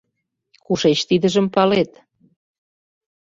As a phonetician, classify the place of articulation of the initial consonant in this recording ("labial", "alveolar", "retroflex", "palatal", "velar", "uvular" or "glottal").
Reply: velar